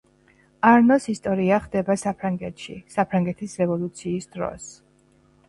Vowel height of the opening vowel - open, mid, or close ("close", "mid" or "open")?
open